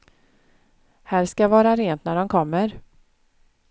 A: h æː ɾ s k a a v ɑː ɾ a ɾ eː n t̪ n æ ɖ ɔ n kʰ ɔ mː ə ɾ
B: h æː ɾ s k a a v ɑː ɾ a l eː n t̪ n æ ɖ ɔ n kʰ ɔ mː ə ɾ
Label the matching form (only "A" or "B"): A